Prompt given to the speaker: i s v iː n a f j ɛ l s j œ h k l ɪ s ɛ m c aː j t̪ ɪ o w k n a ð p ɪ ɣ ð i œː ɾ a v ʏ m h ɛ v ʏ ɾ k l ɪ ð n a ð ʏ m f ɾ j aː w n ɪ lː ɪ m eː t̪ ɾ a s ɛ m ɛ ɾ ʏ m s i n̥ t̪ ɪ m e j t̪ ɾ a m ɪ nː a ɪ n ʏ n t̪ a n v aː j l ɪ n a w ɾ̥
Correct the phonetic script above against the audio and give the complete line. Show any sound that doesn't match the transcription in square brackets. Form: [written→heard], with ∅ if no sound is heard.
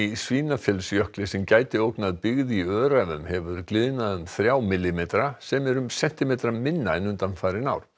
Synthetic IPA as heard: i s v iː n a f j ɛ l s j œ h k l ɪ s ɛ m c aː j t̪ ɪ o w k n a ð p ɪ ɣ ð i œː ɾ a v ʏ m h ɛ v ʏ ɾ k l ɪ ð n a ð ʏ m [f→θ] ɾ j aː w [n→m] ɪ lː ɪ m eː t̪ ɾ a s ɛ m ɛ ɾ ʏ m s [i→ɛ] n̥ t̪ ɪ m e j t̪ ɾ a m ɪ nː a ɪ n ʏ n t̪ a n [v→f] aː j [l→ɾ] ɪ n a w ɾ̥